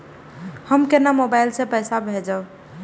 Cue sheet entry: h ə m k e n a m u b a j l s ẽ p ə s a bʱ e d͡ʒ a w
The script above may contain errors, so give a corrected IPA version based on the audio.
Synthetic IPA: h ə m k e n a m o b a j l s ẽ p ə s a bʱ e d͡ʒ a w